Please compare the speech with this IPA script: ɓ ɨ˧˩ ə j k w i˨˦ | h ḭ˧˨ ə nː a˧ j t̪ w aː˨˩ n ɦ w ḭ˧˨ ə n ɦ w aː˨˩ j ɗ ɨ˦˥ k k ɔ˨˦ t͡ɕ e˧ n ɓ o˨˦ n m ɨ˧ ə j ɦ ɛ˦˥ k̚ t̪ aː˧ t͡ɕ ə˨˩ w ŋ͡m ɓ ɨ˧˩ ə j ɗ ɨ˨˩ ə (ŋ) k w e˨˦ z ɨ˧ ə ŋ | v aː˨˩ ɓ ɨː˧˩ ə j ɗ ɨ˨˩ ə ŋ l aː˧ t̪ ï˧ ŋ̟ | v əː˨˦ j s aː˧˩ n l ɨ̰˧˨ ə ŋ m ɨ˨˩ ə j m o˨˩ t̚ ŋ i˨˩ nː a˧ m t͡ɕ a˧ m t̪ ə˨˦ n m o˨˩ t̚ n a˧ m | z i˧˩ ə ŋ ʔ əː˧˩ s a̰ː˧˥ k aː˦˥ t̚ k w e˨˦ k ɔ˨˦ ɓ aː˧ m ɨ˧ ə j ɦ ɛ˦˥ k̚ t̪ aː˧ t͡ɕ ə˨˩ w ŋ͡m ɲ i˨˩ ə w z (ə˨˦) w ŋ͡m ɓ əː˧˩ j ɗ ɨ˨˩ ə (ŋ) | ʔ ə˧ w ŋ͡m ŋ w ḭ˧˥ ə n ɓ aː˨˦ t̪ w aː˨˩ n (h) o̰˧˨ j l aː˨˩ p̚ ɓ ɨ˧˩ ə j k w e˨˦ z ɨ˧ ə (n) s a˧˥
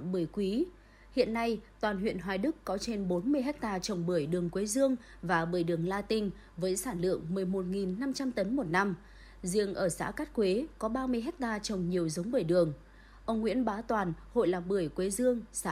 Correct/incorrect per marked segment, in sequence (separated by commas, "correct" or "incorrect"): correct, correct, correct, correct, incorrect